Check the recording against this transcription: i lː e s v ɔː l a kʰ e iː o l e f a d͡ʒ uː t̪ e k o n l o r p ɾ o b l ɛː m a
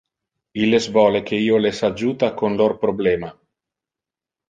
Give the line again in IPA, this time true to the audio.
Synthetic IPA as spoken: i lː e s v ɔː l e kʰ e iː o l e s a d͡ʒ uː t̪ a k o n l o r p ɾ o b l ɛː m a